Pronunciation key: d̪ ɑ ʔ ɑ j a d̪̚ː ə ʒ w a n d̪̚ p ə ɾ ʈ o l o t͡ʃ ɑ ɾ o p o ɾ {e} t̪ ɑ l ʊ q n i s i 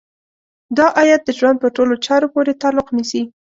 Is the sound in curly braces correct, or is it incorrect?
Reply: correct